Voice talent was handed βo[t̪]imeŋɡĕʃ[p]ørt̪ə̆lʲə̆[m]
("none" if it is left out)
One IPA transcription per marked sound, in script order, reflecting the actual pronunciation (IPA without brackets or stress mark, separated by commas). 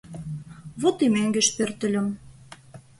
t̪, p, m